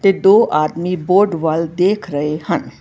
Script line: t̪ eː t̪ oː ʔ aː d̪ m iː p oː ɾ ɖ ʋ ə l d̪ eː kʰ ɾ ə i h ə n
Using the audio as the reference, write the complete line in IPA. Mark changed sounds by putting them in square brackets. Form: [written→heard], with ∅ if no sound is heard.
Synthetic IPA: t̪ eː [t̪→d̪] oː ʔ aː d̪ m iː [p→b] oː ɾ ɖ ʋ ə l d̪ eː kʰ ɾ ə [i→e] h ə n